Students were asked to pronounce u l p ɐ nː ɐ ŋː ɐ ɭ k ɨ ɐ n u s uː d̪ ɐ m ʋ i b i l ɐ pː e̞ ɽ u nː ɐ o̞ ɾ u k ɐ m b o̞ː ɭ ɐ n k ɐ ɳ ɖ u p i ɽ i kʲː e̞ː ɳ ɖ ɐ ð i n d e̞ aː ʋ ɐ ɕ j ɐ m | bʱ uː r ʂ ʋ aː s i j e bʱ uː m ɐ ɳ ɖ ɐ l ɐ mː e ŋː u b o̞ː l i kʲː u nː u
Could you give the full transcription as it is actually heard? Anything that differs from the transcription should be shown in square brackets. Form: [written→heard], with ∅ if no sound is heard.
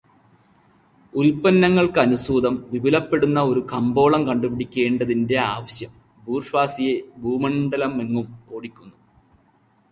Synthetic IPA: u l p ɐ nː ɐ ŋː ɐ ɭ k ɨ ɐ n u s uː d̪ ɐ m ʋ i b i l ɐ pː e̞ ɽ u nː ɐ o̞ ɾ u k ɐ m b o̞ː ɭ ɐ [n→m] k ɐ ɳ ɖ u p i ɽ i kʲː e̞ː ɳ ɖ ɐ ð i n d e̞ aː ʋ ɐ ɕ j ɐ m | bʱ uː r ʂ ʋ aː s i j e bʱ uː m ɐ ɳ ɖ ɐ l ɐ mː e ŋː u [b→m] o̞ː [l→ɽ] i kʲː u nː u